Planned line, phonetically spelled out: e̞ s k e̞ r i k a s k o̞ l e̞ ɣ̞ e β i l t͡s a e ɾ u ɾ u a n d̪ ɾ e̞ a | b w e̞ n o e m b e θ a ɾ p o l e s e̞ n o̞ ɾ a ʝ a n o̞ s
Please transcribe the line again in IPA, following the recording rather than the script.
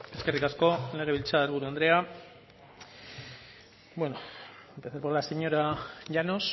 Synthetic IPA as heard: e̞ s k e̞ r i k a s k o̞ l e̞ ɣ̞ e β i l t͡s a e ɾ u ɾ u a n d̪ ɾ e̞ a | b w e̞ n o e m p e θ a ɾ p o l a s e̞ ɲ o̞ ɾ a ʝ a n o̞ s